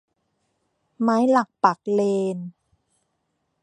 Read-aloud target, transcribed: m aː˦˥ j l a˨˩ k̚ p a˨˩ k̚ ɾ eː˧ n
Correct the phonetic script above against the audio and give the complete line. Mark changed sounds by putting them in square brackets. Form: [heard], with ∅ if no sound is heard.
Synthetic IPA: m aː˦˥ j l a˨˩ k̚ p a˨˩ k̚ [l] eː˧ n